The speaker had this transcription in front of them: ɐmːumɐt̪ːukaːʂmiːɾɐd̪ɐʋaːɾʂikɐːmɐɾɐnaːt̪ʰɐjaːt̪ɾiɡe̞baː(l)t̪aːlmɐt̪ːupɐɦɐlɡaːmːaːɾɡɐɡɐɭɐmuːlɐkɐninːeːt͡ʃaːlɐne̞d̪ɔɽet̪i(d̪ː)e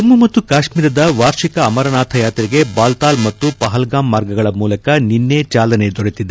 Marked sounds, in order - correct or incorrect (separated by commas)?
correct, incorrect